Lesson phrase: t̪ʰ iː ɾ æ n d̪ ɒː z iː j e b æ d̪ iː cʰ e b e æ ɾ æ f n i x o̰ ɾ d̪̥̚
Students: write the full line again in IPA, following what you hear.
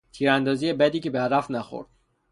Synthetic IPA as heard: t̪ʰ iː ɾ æ n d̪ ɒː z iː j e b æ d̪ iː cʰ e b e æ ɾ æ f n æ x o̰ ɾ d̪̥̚